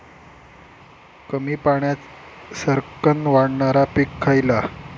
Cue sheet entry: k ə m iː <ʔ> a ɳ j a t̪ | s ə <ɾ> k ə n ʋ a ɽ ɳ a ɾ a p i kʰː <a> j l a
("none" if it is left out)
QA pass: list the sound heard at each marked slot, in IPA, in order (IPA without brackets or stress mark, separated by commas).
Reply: p, ɾ, a